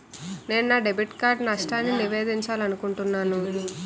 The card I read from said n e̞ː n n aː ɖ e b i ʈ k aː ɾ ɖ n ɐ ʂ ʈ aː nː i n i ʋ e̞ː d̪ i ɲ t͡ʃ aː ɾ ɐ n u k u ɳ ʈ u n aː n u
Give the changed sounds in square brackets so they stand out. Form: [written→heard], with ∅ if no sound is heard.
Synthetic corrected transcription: n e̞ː n n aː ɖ e b i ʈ k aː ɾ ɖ n ɐ ʂ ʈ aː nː i n i ʋ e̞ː d̪ i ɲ t͡ʃ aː [ɾ→l] ɐ n u k u ɳ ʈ u [n→nː] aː n u

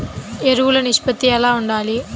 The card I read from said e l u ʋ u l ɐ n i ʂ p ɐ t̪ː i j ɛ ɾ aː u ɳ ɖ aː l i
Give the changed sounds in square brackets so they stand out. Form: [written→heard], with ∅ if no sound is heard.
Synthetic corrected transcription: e [l→ɾ] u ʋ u l ɐ n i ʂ p ɐ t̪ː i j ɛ [ɾ→l] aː u ɳ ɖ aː l i

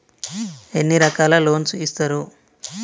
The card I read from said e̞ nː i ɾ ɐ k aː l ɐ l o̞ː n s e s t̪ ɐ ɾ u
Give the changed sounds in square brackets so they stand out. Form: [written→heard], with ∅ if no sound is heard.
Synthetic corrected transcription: e̞ nː i ɾ ɐ k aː l ɐ l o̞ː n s [e→i] s t̪ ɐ ɾ u

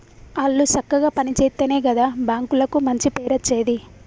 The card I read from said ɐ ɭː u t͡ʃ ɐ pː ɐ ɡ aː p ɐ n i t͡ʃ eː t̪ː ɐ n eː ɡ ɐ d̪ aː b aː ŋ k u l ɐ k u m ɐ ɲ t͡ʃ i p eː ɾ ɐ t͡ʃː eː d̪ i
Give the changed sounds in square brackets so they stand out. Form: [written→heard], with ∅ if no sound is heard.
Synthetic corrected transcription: ɐ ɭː u t͡ʃ ɐ [pː→kː] ɐ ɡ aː p ɐ n i t͡ʃ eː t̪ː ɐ n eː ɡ ɐ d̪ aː b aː ŋ k u l ɐ k u m ɐ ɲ t͡ʃ i p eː ɾ ɐ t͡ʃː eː d̪ i

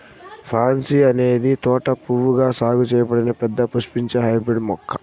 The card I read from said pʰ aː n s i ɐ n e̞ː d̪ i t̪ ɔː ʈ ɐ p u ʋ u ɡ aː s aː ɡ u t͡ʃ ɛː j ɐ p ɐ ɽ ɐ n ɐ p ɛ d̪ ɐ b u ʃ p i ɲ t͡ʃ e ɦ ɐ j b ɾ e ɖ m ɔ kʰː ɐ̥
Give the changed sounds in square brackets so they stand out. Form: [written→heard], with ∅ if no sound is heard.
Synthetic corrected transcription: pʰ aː n s i ɐ n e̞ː d̪ i t̪ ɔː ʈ ɐ p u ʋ u ɡ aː s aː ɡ u t͡ʃ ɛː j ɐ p ɐ ɽ ɐ n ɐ p ɛ [d̪→d̪ː] ɐ [b→p] u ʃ p i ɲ t͡ʃ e ɦ ɐ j b ɾ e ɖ m ɔ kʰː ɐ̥

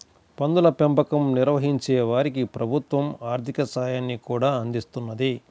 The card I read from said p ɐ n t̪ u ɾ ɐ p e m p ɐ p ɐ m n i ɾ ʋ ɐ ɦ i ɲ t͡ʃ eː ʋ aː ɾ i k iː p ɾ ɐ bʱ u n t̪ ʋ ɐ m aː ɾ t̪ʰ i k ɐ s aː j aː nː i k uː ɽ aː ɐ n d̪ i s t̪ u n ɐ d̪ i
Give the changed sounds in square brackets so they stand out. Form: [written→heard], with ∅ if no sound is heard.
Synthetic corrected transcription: p ɐ n [t̪→d̪] u [ɾ→l] ɐ p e m p ɐ [p→k] ɐ m n i ɾ ʋ ɐ ɦ i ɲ t͡ʃ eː ʋ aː ɾ i k [iː→i] p ɾ ɐ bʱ u [n→∅] t̪ ʋ ɐ m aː ɾ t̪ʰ i k ɐ s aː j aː nː i k uː ɽ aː ɐ n d̪ i s t̪ u [n→nː] ɐ d̪ i

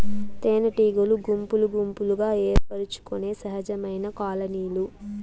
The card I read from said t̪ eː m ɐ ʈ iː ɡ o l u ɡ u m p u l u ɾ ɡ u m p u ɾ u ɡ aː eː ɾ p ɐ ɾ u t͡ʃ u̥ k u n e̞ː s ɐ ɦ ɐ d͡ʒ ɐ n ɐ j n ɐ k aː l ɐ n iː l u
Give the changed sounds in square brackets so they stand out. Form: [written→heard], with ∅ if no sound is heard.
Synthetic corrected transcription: t̪ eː [m→n] ɐ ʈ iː ɡ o l u ɡ u m p u l u [ɾ→∅] ɡ u m p u [ɾ→l] u ɡ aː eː ɾ p ɐ ɾ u t͡ʃ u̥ k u n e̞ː s ɐ ɦ ɐ d͡ʒ ɐ [n→m] ɐ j n ɐ k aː l ɐ n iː l u

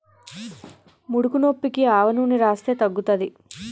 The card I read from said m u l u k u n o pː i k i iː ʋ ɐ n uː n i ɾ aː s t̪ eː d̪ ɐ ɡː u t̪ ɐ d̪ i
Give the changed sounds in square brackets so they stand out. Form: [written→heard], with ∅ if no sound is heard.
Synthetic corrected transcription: m u [l→ɽ] u k u n o pː i k i [iː→aː] ʋ ɐ n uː n i ɾ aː s t̪ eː [d̪→t̪] ɐ ɡː u t̪ ɐ d̪ i

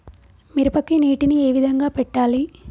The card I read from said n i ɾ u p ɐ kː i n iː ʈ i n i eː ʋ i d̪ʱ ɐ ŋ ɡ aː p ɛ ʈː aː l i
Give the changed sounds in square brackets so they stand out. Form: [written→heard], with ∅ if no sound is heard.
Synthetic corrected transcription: [n→m] i ɾ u p ɐ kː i n iː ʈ i n i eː ʋ i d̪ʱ ɐ ŋ ɡ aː p ɛ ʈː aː l i

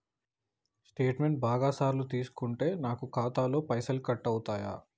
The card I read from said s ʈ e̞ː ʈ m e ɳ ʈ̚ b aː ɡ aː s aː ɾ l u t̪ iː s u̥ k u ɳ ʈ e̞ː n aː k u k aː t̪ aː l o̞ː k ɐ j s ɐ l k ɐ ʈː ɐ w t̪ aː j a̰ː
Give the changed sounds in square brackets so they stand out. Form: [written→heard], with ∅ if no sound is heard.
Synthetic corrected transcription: s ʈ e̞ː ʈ m e ɳ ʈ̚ b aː ɡ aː s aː ɾ l u t̪ iː s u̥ k u ɳ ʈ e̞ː n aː k u k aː t̪ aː l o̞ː [k→p] ɐ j s ɐ l k ɐ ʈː ɐ w t̪ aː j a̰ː

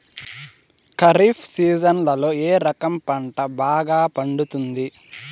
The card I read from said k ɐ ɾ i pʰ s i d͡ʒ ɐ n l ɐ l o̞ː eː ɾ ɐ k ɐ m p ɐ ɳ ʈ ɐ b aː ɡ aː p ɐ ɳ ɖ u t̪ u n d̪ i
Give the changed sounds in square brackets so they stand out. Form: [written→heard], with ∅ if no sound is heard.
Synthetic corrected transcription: k ɐ ɾ i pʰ s [i→iː] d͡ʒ ɐ n l ɐ l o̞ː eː ɾ ɐ k ɐ m p ɐ ɳ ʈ ɐ b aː ɡ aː p ɐ ɳ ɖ u t̪ u n d̪ i

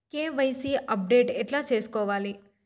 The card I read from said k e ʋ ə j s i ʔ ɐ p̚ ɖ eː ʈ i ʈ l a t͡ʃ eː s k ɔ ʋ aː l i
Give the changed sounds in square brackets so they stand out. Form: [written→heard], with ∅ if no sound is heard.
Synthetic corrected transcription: k e ʋ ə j s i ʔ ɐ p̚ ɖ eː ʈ [i→e] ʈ l a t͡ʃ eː s k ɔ ʋ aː l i

